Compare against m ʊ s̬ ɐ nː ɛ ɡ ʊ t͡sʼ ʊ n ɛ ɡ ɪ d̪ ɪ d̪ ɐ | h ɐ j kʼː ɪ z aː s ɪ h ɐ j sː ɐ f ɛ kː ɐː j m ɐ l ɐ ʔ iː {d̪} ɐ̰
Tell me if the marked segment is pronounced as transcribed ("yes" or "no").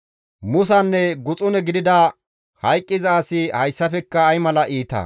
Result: no